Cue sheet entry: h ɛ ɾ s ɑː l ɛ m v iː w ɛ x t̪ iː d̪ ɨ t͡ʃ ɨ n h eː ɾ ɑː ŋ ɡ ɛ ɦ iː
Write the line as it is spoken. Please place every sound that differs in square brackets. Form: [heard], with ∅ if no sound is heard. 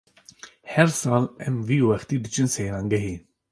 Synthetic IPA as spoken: h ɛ ɾ s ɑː l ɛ m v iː w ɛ x t̪ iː d̪ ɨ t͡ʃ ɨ n [s] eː ɾ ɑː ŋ ɡ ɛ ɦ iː